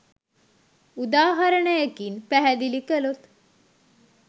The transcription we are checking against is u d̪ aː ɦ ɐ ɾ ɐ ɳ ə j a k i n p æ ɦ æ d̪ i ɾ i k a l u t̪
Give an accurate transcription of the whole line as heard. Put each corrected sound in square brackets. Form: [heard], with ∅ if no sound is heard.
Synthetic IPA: u d̪ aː ɦ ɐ ɾ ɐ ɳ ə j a k i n p æ ɦ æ d̪ i [l] i k [ə] l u t̪